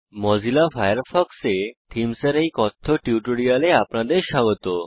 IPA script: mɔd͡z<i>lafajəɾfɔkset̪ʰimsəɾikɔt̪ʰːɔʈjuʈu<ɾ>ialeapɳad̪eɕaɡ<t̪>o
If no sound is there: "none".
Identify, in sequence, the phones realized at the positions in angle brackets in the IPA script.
i, ɽ, t̪

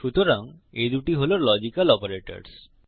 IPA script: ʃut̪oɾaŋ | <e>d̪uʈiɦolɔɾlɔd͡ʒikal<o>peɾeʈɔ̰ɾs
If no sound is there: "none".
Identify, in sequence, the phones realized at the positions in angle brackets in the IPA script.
e, ɔ

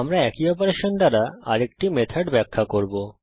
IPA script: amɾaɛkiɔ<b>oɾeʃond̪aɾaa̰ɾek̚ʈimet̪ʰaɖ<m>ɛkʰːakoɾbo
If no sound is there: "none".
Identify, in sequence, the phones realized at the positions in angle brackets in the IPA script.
p, b

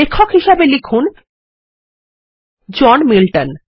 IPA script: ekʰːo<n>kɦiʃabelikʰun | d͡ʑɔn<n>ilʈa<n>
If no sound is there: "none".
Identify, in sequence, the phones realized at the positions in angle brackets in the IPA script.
none, m, n

